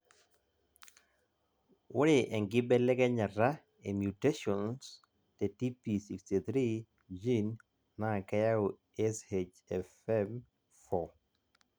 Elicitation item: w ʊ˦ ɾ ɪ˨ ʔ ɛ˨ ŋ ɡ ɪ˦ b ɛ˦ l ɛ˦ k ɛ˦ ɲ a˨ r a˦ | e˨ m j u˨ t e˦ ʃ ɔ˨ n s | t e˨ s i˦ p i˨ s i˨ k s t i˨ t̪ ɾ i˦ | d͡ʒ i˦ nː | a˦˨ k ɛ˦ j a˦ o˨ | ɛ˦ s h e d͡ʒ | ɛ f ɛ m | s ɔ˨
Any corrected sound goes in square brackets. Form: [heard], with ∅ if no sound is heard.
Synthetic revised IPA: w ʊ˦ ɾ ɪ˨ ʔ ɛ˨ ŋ ɡ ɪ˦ b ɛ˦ l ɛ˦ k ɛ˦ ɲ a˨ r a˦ | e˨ m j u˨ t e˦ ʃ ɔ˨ n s | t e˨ [t] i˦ p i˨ s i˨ k s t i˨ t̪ ɾ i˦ | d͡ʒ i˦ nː | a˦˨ k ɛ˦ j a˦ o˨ | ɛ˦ s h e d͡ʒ | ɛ f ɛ m | [f] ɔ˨